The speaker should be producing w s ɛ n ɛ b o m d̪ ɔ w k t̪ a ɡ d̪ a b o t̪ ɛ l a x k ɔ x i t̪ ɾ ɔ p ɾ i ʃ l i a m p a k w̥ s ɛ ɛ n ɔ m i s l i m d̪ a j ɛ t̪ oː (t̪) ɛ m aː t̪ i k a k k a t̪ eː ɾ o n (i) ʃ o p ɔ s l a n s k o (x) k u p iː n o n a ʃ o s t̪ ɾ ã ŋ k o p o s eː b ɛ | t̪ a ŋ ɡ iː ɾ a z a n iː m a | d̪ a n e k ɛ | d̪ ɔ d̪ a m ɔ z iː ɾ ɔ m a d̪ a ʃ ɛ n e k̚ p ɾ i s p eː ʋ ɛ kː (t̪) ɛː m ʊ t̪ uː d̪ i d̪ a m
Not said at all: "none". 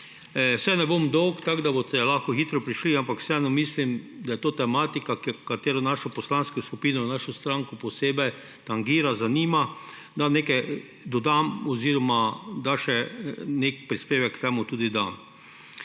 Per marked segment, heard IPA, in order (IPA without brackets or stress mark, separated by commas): t̪, a, s, t̪